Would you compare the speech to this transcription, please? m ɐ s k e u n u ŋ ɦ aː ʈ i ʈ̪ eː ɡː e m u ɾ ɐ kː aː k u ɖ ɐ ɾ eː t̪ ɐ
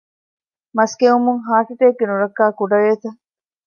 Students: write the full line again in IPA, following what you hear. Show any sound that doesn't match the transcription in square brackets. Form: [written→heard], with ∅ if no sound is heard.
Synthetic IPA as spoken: m ɐ s k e u [n→m] u ŋ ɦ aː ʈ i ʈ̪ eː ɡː e [m→n] u ɾ ɐ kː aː k u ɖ ɐ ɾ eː t̪ ɐ

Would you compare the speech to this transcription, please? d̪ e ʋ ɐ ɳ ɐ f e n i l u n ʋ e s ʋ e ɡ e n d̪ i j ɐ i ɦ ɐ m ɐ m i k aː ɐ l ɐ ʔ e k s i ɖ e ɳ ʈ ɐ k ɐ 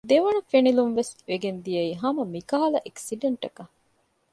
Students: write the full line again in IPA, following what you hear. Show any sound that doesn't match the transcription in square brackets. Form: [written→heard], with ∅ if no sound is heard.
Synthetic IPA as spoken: d̪ e ʋ ɐ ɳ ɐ f e n i l u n ʋ e s ʋ e ɡ e n d̪ i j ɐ i ɦ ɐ m ɐ m i k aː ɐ l ɐ ʔ e k s i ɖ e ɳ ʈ ɐ k ɐ

